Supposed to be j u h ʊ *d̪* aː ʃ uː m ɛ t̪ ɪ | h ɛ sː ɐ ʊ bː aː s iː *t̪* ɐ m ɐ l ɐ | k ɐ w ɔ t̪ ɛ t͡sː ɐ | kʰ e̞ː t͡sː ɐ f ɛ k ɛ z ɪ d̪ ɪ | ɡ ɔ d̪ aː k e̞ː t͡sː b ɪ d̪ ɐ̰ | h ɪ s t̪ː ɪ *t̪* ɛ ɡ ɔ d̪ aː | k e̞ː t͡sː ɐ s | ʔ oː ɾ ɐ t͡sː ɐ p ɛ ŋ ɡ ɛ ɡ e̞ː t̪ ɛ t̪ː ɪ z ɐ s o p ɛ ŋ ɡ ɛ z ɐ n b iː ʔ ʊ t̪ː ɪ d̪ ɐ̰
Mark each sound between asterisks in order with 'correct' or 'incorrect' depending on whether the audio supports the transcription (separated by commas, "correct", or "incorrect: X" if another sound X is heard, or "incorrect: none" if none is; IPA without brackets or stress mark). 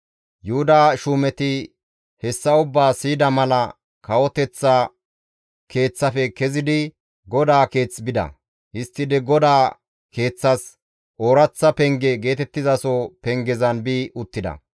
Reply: correct, incorrect: d̪, incorrect: d̪